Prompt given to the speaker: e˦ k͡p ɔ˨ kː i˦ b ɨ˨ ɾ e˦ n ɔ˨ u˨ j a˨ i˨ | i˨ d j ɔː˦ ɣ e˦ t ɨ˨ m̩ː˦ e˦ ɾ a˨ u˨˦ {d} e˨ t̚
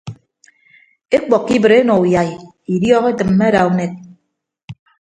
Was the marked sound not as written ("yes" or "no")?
yes